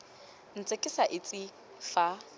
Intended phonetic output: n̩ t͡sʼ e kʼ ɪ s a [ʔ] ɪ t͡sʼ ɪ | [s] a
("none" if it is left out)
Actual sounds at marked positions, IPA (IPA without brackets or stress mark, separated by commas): ʔ, f